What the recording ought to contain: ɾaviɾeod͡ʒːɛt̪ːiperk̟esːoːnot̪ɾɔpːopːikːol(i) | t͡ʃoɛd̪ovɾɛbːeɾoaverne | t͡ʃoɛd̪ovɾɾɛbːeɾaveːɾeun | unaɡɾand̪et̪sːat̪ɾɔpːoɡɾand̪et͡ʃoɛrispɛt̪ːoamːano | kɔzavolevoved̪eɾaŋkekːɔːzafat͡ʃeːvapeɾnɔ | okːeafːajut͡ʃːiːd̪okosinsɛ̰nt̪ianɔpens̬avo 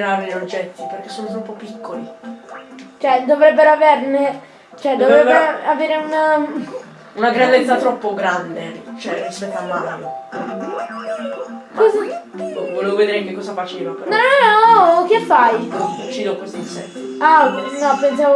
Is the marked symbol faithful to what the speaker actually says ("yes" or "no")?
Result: yes